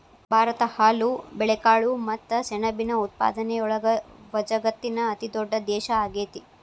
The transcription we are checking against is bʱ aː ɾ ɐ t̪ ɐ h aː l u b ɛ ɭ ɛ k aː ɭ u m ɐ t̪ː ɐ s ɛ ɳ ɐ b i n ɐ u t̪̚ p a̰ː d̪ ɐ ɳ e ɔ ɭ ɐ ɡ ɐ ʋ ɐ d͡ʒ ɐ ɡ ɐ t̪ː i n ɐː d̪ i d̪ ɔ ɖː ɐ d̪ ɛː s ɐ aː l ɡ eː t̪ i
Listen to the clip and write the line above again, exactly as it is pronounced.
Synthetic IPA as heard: bʱ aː ɾ ɐ t̪ ɐ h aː l u b ɛ ɭ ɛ k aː ɭ u m ɐ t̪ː ɐ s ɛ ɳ ɐ b i n ɐ u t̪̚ p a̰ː d̪ ɐ n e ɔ ɭ ɐ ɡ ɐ ʋ ɐ d͡ʒ ɐ ɡ ɐ t̪ː i n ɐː t̪ i d̪ ɔ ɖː ɐ d̪ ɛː ʃ ɐ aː ɡ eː t̪ i